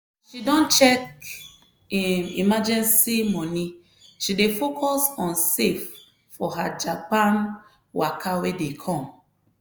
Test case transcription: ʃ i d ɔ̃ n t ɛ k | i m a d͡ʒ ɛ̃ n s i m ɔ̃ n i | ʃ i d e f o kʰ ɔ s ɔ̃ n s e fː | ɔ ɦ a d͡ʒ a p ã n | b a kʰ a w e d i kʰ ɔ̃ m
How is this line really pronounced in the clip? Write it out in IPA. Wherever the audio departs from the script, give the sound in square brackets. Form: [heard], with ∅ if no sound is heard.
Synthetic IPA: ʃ i d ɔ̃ n [t͡ʃ] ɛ k | i m a d͡ʒ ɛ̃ n s i m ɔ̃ n i | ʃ i d e f o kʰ ɔ s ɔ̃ n s e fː | ɔ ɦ a d͡ʒ a p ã n | [w] a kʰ a w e d [e] kʰ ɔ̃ m